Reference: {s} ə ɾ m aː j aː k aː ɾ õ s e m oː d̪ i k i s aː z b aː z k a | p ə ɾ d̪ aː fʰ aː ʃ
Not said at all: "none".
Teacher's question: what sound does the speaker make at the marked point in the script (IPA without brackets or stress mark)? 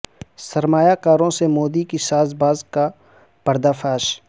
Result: s